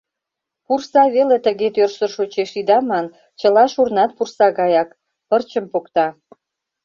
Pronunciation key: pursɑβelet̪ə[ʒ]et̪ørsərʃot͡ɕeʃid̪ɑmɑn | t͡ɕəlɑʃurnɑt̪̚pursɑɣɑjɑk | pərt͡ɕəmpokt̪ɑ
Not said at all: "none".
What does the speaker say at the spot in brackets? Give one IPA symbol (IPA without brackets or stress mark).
ɣ